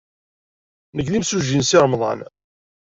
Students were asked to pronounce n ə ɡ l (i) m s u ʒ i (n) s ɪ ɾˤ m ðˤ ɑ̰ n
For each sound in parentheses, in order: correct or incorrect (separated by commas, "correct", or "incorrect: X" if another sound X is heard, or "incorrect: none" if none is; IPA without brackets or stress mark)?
correct, correct